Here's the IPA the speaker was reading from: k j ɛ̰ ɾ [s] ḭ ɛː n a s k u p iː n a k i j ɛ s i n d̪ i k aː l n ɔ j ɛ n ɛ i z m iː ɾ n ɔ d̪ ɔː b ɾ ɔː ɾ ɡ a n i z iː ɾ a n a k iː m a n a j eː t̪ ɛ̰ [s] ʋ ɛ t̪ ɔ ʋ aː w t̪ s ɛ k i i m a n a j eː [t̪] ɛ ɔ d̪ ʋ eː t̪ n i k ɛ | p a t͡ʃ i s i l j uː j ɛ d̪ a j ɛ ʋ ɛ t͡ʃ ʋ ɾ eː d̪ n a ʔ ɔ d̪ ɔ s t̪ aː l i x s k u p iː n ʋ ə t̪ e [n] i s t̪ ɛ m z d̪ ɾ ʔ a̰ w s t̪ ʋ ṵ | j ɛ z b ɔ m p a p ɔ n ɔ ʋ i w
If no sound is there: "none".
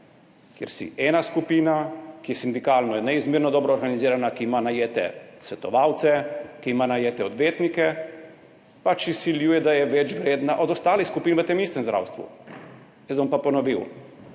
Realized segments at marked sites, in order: s, s, t̪, m

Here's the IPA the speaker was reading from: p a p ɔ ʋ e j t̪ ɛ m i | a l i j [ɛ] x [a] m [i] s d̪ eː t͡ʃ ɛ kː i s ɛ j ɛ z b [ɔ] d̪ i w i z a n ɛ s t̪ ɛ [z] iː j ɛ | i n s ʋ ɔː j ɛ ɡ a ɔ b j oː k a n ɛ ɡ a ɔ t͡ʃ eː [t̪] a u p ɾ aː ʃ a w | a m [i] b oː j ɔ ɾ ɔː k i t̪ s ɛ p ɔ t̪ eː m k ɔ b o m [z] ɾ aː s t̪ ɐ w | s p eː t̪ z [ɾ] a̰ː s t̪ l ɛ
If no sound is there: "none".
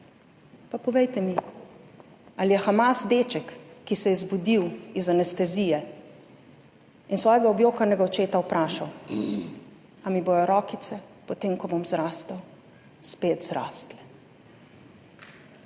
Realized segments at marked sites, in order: ɛ, a, a, u, z, t̪, i, z, ɾ

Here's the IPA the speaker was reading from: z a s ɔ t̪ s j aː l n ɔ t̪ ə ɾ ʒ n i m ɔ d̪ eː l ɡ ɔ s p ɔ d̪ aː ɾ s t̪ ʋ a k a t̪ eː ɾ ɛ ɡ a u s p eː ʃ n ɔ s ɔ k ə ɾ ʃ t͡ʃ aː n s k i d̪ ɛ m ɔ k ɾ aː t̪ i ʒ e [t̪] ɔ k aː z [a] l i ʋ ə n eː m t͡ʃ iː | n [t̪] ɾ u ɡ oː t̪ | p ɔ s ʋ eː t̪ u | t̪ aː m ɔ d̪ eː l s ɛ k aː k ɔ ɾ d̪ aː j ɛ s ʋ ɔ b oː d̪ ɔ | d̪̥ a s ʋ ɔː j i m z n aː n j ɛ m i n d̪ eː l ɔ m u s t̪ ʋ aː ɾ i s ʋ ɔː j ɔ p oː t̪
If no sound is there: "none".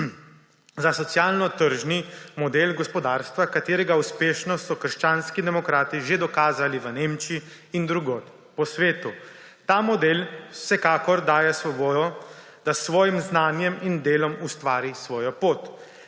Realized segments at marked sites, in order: d̪, a, d̪

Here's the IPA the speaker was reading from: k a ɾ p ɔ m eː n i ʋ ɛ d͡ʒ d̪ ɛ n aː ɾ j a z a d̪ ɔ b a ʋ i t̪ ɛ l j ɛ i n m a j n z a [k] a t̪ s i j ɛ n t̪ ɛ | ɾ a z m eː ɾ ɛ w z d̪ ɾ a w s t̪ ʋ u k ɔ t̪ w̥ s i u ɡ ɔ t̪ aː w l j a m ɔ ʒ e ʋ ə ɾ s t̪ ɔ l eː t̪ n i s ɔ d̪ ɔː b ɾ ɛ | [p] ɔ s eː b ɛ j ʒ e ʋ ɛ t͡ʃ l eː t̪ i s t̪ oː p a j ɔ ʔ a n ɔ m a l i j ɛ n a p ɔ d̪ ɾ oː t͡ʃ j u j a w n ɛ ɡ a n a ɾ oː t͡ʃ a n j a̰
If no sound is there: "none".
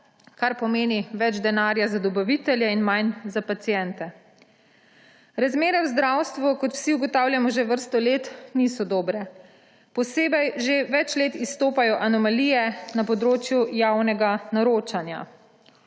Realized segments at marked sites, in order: p, p

